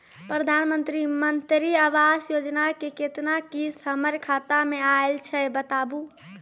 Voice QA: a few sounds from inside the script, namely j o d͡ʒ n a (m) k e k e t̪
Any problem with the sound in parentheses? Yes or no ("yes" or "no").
yes